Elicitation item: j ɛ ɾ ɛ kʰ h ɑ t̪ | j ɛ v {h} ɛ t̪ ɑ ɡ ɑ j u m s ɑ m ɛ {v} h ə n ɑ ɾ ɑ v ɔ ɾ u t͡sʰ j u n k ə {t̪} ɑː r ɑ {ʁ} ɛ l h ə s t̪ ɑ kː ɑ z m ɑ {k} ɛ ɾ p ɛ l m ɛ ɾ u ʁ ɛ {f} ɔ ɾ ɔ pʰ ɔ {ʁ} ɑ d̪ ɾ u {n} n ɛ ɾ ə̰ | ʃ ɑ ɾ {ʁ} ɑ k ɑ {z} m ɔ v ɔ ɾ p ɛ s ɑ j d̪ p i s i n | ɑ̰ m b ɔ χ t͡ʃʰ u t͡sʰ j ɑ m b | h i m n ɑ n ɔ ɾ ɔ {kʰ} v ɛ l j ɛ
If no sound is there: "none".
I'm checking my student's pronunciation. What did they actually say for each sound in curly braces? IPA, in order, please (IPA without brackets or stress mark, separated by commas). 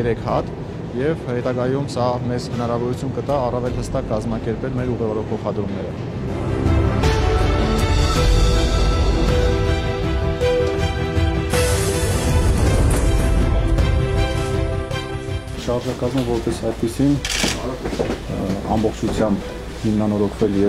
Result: h, z, t̪, v, k, v, χ, m, ʒ, z, kʰ